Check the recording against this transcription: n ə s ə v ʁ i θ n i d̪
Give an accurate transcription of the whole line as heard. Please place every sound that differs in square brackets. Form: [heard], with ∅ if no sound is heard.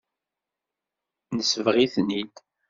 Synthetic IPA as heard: n ə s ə v ʁ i θ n i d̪

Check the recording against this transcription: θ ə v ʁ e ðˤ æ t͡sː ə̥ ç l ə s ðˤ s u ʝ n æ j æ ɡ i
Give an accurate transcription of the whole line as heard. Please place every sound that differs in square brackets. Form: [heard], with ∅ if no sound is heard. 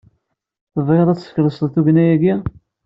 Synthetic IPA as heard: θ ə v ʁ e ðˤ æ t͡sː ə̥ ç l ə s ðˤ [θ] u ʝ n æ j æ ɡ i

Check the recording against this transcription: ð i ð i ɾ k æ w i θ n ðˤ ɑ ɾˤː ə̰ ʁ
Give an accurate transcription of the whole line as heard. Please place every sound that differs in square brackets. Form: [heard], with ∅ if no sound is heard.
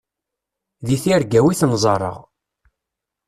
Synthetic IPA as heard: ð i [θ] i ɾ [ɡ] æ w i θ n [zˤ] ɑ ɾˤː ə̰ ʁ

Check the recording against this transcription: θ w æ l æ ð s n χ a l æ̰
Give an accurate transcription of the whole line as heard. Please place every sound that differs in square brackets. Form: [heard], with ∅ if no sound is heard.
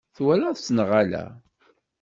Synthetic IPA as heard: θ w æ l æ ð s n [ʁ] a l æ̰

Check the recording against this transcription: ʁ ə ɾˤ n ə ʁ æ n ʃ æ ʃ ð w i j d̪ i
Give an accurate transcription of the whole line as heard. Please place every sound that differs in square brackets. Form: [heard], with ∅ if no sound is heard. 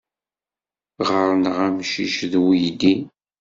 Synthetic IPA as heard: ʁ ə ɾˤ n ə ʁ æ [m] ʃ [i] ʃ ð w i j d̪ i

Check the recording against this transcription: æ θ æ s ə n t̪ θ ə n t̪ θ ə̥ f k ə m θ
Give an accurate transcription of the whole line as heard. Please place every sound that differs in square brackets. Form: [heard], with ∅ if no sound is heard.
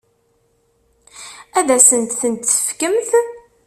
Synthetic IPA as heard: æ [ð] æ s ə n t̪ θ ə n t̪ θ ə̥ f k ə m θ

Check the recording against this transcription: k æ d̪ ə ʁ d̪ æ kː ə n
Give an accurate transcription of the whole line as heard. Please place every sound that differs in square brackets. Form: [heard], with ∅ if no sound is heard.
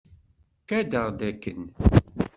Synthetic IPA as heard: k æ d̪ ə ʁ d̪ æ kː ə n

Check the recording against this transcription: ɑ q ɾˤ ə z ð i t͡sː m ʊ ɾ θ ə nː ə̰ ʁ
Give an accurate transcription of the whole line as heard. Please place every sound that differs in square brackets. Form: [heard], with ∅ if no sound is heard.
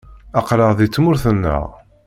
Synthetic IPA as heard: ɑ q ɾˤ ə [ʁ] ð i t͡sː m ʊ ɾ θ ə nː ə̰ ʁ

